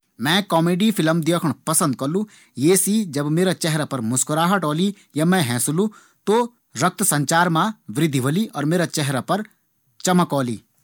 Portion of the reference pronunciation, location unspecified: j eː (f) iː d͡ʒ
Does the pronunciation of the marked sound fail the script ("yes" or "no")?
yes